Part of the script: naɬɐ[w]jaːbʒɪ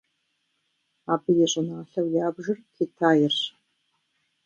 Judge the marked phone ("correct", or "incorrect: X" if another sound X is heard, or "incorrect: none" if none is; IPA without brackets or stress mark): correct